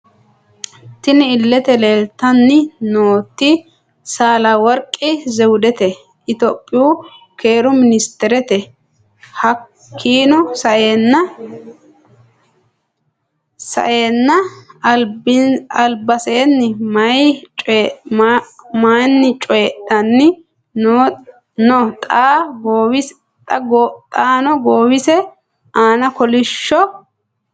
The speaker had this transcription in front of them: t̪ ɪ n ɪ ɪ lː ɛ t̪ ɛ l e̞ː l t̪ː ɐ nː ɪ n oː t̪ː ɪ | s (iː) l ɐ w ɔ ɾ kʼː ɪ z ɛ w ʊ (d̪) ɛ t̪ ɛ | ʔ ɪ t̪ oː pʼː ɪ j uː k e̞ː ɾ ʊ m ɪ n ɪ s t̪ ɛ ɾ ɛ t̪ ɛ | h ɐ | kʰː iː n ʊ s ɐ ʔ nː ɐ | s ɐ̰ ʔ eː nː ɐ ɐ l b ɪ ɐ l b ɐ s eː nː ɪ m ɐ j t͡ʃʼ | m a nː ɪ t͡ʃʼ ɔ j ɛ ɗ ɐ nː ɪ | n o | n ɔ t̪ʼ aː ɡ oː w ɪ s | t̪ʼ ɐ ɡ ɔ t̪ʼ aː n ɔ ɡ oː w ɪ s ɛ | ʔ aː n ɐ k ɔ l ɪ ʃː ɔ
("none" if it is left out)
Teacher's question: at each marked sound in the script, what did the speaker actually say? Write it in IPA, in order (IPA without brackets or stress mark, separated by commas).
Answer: aː, d̪